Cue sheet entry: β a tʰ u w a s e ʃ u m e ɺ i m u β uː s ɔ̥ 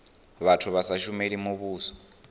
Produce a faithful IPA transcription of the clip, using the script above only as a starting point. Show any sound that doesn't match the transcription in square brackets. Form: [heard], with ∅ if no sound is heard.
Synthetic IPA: β a tʰ u [β] a s [a] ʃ u m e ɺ i m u β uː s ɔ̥